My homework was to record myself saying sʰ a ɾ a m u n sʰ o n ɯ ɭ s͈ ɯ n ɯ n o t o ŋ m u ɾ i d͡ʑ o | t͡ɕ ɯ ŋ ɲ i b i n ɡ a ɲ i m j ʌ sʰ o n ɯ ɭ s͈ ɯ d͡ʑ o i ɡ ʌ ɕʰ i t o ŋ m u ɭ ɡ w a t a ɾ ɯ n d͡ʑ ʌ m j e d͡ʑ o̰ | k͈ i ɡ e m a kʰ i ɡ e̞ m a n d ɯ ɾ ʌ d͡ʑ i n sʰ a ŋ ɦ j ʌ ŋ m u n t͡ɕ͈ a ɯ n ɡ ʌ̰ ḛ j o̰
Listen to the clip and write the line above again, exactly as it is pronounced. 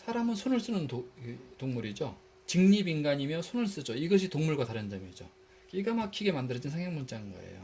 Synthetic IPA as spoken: sʰ a ɾ a m ɯ n sʰ o n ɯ ɭ s͈ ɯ n ɯ n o t o ŋ m u ɾ i d͡ʑ o | t͡ɕ ɯ ŋ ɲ i b i n ɡ a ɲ i m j ʌ sʰ o n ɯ ɭ s͈ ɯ d͡ʑ o i ɡ ʌ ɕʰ i t o ŋ m u ɭ ɡ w a t a ɾ ɯ n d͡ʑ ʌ m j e d͡ʑ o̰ | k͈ i ɡ a m a kʰ i ɡ e̞ m a n d ɯ ɾ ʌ d͡ʑ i n sʰ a ŋ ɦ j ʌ ŋ m u n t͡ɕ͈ a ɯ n ɡ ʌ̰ ḛ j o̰